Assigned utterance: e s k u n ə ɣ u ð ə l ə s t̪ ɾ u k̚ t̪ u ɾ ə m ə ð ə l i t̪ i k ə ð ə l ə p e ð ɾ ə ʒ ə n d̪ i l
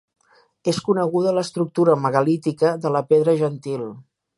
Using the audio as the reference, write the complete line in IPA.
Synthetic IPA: e s k u n ə ɣ u ð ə l ə s t̪ ɾ u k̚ t̪ u ɾ ə m ə ɣ ə l i t̪ i k ə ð ə l ə p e ð ɾ ə ʒ ə n t̪ i l